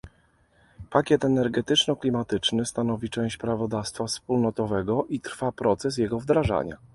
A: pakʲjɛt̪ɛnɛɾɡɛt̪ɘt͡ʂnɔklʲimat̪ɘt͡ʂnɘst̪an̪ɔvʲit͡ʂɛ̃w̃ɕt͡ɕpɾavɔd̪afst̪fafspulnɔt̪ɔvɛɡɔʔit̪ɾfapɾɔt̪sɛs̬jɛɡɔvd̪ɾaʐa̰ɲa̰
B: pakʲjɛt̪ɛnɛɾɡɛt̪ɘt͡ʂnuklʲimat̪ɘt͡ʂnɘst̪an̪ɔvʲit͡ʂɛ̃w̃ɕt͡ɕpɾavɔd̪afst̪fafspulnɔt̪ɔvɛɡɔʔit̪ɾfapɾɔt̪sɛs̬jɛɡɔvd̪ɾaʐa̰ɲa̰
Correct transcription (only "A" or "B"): A